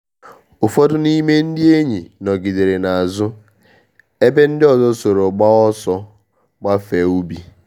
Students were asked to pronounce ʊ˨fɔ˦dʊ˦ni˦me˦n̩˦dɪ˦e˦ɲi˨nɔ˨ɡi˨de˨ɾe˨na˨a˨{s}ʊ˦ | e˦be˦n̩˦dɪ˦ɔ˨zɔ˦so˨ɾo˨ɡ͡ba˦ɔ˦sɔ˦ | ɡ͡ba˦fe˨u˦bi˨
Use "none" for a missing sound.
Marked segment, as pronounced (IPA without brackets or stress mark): z